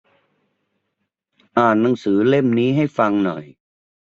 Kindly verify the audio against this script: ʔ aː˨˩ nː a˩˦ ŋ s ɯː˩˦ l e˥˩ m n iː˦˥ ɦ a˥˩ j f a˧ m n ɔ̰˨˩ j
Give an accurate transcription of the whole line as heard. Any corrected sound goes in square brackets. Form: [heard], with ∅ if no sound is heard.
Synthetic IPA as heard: ʔ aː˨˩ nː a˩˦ ŋ s ɯː˩˦ l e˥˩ m n iː˦˥ ɦ a˥˩ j f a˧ [ŋ] n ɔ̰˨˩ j